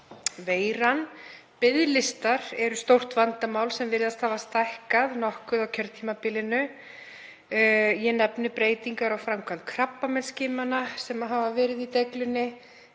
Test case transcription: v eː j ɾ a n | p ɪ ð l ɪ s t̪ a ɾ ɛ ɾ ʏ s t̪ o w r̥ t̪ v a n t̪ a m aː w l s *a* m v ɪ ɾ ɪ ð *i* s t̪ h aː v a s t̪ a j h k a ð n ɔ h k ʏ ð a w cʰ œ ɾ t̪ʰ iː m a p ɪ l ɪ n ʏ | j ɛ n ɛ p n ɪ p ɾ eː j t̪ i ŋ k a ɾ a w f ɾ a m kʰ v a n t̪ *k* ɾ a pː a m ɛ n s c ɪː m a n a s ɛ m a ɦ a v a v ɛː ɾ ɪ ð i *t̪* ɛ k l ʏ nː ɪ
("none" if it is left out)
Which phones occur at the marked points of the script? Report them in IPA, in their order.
ɛ, a, kʰ, t̪

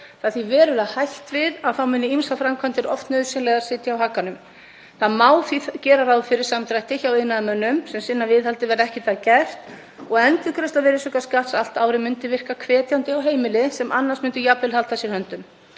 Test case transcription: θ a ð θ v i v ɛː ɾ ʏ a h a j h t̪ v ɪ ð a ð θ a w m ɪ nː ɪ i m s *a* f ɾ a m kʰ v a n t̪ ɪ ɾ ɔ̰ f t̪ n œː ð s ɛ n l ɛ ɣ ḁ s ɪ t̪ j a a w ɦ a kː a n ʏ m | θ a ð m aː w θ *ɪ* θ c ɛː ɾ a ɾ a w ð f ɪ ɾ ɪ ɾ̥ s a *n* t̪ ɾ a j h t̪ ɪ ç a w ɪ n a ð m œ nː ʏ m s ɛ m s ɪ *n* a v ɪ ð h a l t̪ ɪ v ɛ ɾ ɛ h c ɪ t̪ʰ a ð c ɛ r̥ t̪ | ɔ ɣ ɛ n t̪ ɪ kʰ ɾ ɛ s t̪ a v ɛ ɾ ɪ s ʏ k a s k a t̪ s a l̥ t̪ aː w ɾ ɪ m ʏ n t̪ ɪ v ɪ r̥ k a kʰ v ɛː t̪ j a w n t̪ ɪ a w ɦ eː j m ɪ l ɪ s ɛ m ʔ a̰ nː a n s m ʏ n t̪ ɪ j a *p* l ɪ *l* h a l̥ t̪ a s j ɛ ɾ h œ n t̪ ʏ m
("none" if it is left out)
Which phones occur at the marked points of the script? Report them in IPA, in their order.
a, i, m, nː, p, l

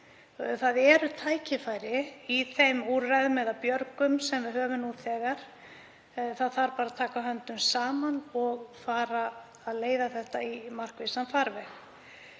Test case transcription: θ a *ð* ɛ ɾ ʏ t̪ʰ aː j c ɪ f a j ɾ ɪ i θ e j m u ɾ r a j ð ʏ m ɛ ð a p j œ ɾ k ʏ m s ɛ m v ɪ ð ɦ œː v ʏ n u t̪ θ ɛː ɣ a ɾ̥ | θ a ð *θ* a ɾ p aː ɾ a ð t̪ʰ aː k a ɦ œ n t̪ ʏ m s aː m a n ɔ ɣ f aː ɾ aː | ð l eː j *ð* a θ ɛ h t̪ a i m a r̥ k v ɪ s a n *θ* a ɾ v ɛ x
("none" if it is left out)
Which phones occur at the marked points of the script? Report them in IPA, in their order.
ð, θ, ð, f

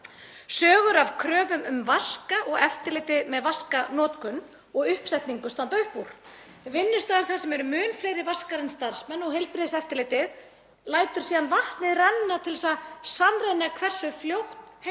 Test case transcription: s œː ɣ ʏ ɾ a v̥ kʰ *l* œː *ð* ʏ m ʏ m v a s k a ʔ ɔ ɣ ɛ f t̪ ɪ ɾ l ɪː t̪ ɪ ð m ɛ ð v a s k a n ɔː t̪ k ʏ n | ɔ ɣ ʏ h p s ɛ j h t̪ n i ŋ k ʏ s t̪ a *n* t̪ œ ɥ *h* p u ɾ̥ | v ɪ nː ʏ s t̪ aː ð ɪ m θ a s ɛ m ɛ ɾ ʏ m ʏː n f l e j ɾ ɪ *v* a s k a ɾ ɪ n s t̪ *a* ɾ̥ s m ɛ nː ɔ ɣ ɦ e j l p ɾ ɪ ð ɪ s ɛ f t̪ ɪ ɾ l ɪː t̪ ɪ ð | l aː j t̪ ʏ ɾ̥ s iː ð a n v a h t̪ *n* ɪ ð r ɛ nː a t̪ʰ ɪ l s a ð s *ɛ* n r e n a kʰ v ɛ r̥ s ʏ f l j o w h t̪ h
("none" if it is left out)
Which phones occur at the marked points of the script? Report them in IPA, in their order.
ɾ, v, n, h, v, a, n, a

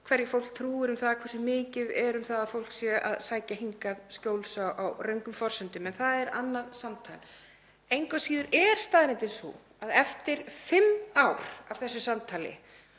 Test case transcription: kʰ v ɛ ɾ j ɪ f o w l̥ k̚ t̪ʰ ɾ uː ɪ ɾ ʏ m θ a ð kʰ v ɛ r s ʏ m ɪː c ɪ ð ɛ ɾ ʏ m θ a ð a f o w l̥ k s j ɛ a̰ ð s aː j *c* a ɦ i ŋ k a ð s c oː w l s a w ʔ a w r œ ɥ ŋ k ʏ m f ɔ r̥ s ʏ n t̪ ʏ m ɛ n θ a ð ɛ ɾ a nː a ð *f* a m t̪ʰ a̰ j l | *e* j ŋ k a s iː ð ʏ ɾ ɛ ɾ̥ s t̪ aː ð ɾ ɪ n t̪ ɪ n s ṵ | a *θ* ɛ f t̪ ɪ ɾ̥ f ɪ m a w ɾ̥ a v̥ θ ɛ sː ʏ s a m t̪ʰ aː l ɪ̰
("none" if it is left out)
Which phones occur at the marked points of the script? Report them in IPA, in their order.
c, s, e, ð

